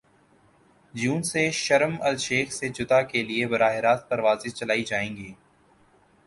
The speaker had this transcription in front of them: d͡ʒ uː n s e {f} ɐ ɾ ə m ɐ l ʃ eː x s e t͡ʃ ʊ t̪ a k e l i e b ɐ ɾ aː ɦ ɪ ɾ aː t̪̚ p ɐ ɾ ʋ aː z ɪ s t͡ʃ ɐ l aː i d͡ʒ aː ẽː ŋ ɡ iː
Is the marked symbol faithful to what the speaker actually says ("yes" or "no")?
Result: no